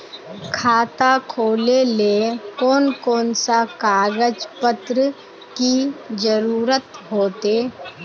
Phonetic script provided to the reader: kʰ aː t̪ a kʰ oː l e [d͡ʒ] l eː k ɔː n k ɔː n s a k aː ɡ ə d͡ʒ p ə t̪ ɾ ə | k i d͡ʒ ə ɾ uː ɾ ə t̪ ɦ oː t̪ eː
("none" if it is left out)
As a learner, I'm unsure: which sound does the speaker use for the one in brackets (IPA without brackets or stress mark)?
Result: none